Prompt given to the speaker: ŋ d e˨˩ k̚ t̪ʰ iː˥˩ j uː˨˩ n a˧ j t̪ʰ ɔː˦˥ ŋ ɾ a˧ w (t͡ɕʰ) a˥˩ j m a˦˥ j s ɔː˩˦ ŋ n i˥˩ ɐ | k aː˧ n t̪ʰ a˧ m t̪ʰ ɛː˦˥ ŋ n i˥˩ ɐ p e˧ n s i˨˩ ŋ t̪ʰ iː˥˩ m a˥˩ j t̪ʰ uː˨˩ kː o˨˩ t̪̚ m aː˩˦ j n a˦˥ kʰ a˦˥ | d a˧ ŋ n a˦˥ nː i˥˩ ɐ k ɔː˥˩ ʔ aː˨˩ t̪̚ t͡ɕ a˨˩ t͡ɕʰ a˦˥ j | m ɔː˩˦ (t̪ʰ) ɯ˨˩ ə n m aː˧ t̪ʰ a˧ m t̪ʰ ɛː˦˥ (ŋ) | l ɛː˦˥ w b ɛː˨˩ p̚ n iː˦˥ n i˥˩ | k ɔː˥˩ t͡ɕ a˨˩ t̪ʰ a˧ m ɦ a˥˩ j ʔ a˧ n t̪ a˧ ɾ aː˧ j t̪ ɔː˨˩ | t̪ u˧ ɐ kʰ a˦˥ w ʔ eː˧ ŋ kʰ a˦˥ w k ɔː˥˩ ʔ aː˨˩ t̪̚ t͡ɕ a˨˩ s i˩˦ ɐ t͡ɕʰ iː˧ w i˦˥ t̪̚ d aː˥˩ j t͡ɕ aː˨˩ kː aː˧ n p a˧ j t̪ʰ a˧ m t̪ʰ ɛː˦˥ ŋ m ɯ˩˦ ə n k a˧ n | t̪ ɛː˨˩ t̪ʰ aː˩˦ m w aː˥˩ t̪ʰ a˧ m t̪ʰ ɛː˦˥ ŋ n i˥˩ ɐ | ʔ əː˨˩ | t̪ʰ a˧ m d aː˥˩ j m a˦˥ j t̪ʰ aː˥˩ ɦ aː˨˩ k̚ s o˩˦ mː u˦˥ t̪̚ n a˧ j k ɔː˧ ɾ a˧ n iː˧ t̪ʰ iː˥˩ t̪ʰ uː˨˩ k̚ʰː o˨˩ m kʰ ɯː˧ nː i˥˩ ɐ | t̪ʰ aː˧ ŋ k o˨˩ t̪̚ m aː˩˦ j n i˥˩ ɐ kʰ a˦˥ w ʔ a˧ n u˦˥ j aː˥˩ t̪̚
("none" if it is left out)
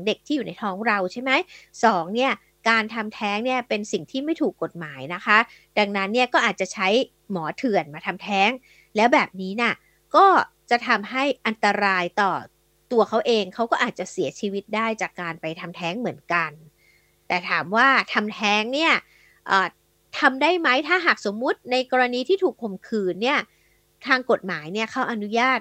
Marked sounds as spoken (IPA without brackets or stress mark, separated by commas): t͡ɕʰ, t̪ʰ, ŋ